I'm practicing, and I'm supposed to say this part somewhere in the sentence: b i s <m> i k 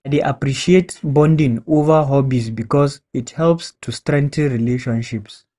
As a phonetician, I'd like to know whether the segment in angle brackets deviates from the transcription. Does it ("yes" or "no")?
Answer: yes